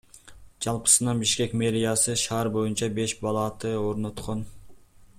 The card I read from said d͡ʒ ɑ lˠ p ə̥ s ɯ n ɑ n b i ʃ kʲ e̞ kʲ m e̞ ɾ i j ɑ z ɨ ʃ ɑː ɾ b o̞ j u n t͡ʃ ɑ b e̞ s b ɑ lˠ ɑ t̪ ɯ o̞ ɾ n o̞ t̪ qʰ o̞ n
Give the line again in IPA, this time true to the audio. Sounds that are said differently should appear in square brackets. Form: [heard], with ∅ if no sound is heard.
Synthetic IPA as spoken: d͡ʒ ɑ lˠ p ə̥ s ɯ n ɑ n b i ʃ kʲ e̞ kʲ m e̞ ɾ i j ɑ [s] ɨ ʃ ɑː ɾ b o̞ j u n t͡ʃ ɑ b e̞ [ʃ] b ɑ lˠ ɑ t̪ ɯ o̞ ɾ n o̞ t̪ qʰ o̞ n